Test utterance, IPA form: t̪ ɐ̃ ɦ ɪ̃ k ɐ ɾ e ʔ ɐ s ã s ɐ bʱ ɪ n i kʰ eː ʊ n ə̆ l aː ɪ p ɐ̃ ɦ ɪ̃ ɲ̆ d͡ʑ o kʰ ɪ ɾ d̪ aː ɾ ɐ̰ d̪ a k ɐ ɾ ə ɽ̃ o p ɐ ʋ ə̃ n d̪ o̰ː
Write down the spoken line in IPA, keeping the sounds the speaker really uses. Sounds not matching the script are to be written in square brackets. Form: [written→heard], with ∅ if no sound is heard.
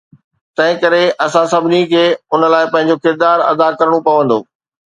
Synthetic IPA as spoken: t̪ ɐ̃ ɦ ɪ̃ k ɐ ɾ e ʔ ɐ s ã s ɐ bʱ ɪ n i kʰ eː ʊ n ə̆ l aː ɪ p ɐ̃ ɦ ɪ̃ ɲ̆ d͡ʑ o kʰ ɪ ɾ d̪ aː ɾ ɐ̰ d̪ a k ɐ ɾ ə ɽ̃ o p ɐ ʋ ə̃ n d̪ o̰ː